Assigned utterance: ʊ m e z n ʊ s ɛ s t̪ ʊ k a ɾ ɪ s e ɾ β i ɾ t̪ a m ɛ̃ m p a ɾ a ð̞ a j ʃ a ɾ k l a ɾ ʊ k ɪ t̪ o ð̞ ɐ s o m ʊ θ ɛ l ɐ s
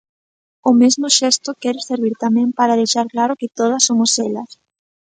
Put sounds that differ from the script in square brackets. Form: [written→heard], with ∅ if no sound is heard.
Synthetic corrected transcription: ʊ m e z [n→m] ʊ [s→ʃ] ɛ s t̪ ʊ k [a→ɛ] ɾ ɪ s e ɾ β i ɾ t̪ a m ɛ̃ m p a ɾ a ð̞ [a→e] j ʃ a ɾ k l a ɾ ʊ k ɪ t̪ o ð̞ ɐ s o m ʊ [θ→s] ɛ l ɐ s